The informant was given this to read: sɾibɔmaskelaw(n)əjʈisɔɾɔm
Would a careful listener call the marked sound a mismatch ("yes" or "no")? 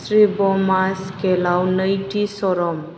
no